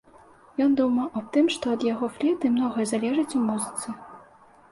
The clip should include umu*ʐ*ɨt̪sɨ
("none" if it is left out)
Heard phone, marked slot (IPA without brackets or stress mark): z